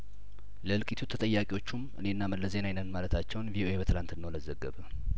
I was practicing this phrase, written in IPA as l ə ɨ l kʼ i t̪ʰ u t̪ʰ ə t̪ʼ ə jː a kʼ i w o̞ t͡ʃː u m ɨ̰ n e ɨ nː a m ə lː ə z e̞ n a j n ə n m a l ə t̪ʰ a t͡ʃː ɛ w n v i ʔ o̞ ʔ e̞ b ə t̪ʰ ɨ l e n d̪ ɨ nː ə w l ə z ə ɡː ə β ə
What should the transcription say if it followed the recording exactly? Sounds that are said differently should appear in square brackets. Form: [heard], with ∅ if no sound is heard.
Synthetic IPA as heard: l ə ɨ l kʼ i t̪ʰ u t̪ʰ ə t̪ʼ ə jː a kʼ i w o̞ t͡ʃː u m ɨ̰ n e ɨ nː a m ə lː ə z e̞ n a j n ə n m a l ə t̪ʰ a t͡ʃː ɛ w n v i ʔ o̞ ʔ e̞ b ə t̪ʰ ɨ l [a] n [t̪] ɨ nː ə w l ə z ə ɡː ə β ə